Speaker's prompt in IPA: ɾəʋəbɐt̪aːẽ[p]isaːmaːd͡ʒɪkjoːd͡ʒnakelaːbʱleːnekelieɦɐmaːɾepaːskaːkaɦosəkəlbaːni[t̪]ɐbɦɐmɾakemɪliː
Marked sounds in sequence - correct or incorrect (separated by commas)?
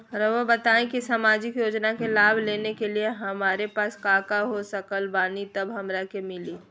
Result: incorrect, correct